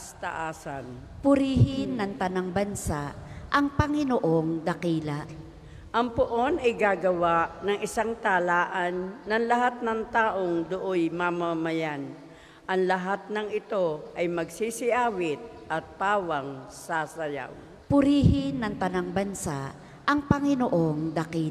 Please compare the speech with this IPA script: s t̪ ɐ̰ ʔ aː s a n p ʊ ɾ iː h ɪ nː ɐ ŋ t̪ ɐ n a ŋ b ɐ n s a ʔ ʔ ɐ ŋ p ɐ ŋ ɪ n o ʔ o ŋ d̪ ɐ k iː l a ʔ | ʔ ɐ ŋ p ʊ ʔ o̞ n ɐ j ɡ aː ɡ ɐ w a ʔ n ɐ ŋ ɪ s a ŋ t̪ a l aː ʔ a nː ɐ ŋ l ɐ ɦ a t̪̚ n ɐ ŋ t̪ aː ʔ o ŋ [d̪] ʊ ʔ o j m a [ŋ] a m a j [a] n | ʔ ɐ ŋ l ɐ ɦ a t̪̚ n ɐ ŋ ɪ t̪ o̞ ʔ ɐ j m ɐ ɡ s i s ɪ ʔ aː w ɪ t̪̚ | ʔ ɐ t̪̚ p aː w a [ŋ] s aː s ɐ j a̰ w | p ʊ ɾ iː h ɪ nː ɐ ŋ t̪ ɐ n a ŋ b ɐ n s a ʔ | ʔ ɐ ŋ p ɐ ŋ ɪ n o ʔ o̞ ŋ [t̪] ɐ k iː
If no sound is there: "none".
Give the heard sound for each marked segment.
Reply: d̪, m, a, ŋ, d̪

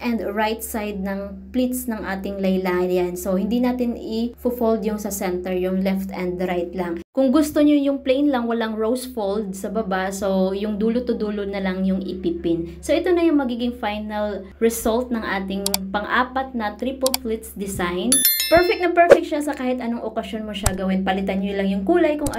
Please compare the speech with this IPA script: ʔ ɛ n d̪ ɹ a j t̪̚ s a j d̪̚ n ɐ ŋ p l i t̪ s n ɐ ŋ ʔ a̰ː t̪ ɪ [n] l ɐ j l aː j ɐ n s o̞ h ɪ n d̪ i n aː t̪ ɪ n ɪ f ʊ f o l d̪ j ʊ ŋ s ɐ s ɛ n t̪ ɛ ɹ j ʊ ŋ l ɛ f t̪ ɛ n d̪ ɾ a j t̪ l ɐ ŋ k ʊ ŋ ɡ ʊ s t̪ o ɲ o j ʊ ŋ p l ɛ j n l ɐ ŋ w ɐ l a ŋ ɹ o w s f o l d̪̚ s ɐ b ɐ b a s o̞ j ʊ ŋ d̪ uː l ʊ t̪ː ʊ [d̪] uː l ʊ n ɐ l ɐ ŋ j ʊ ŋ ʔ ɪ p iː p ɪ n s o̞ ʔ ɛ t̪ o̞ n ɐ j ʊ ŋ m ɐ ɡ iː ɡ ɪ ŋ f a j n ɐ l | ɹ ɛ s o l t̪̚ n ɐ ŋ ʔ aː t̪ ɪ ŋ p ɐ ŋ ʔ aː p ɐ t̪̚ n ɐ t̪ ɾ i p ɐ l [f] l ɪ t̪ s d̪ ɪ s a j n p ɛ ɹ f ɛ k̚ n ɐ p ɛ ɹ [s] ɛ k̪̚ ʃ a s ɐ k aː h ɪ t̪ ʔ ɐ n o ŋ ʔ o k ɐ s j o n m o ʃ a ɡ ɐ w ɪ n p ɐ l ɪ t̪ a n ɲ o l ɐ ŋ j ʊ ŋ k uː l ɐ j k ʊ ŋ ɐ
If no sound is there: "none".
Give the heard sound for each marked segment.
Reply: ŋ, d̪, f, f

